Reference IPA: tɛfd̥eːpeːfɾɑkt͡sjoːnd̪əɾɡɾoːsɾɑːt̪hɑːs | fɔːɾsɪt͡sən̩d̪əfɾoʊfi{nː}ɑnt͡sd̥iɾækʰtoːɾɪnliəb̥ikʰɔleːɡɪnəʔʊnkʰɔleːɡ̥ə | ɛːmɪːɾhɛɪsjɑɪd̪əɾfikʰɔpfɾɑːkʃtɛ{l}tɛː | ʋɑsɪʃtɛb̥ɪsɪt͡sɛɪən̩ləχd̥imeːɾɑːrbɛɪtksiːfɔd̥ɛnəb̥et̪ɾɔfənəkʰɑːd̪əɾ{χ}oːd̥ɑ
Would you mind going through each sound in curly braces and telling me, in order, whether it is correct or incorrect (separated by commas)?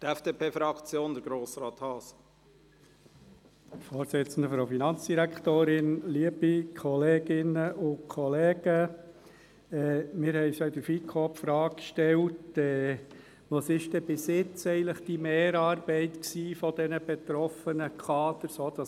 incorrect, correct, incorrect